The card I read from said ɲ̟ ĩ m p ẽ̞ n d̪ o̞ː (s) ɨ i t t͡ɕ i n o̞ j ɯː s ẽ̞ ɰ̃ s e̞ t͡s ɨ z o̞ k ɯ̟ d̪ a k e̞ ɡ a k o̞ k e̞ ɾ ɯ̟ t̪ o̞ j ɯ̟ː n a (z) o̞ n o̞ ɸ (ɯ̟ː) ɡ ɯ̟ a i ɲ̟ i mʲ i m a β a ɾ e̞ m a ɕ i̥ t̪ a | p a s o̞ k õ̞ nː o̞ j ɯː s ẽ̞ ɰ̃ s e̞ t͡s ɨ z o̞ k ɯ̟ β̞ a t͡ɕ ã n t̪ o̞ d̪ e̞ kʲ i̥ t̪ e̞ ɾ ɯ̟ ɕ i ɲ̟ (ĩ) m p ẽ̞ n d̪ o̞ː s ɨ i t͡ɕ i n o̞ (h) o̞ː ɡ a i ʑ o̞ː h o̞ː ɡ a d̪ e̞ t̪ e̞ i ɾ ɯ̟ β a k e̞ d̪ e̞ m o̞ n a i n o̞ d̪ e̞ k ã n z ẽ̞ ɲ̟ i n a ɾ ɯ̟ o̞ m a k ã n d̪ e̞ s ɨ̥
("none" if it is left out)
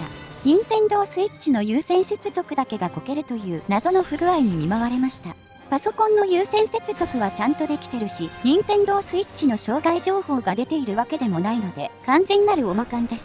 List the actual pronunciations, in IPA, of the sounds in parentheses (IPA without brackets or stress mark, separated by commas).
s, z, ɯ̟, ĩ, ɕ